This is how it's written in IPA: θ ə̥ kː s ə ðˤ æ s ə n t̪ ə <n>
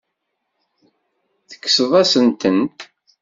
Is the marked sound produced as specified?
yes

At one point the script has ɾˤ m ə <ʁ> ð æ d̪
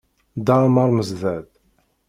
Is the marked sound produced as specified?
no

